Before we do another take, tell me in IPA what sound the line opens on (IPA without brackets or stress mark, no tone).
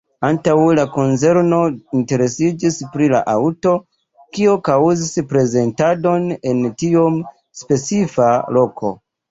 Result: a